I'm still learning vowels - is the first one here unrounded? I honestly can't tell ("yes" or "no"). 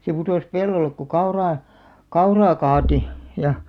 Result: yes